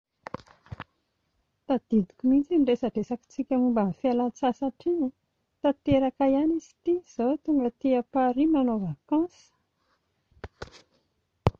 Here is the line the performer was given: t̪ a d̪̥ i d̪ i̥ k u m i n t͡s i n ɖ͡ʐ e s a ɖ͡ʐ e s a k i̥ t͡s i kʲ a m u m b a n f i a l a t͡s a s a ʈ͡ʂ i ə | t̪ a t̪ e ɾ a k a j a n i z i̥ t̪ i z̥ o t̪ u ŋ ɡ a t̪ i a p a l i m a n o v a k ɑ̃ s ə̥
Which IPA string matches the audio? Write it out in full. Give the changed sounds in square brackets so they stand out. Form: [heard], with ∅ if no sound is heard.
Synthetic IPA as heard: t̪ a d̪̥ i d̪ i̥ k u m i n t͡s i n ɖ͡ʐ e s a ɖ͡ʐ e s a k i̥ t͡s i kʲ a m u m b a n f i a l a t͡s a s a ʈ͡ʂ i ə | t̪ a t̪ e ɾ a k a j a n i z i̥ t̪ i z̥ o t̪ u ŋ ɡ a t̪ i a p a [ɾ] i m a n o v a k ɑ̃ s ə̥